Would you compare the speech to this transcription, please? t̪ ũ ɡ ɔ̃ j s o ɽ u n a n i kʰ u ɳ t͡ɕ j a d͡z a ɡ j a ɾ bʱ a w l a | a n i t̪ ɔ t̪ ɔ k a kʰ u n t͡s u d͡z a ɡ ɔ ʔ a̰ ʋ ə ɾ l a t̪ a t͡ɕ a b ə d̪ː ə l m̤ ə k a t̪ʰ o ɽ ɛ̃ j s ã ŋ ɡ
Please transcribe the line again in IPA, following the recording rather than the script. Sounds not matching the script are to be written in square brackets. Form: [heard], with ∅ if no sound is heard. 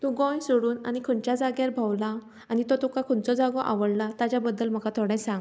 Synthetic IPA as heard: t̪ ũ ɡ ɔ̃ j s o ɽ [uː] n a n i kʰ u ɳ t͡ɕ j a d͡z a ɡ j a ɾ bʱ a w l a | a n i t̪ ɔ t̪ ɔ k a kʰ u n t͡s [ɔ] d͡z a ɡ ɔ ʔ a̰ ʋ ə [ɽ] l a t̪ a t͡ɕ a b ə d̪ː ə l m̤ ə k a t̪ʰ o ɽ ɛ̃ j s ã ŋ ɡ